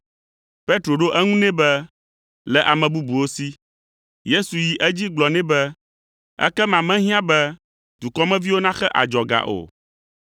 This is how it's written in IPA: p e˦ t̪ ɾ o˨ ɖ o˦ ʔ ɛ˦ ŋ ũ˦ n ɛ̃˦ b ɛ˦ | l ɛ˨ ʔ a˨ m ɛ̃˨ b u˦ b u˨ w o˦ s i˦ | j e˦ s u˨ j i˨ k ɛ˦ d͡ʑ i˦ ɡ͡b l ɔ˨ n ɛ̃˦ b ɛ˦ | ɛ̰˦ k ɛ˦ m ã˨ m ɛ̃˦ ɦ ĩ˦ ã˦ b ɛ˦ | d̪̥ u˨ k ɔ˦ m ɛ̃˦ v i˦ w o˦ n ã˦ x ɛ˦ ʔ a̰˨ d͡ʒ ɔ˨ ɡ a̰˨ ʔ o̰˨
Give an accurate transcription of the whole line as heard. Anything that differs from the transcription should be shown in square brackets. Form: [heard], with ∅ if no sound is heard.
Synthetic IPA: p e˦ t̪ ɾ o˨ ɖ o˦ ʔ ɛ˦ ŋ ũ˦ n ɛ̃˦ b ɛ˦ | l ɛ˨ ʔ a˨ m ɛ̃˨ b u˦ b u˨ w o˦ s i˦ | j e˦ s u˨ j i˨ [ʔ] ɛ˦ d͡ʑ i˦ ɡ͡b l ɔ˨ n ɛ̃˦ b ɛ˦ | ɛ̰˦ k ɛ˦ m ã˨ m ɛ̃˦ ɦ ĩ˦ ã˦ b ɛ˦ | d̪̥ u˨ k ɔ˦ m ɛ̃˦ v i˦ w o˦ n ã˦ x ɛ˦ ʔ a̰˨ d͡ʒ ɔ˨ ɡ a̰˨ ʔ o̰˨